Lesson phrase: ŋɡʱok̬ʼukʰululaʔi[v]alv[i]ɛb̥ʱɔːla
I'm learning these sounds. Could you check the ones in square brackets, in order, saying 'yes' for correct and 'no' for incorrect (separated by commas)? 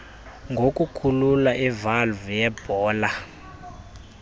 yes, no